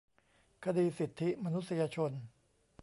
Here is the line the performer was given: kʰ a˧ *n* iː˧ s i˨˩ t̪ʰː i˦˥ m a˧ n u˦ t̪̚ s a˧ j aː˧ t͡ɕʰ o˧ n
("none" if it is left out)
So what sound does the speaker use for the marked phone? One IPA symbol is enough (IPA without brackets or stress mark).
d